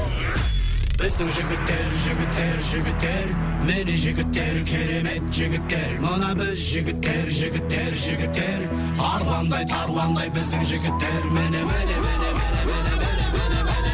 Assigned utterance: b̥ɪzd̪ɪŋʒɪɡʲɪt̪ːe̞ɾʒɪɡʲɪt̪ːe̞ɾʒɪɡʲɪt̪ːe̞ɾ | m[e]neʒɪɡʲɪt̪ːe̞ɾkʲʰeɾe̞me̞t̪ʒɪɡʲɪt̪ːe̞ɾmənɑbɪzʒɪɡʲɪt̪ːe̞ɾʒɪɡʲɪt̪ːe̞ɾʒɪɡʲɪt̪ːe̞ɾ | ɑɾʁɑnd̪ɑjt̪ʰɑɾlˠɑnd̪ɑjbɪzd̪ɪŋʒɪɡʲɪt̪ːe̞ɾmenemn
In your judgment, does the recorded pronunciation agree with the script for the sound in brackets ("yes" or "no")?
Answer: yes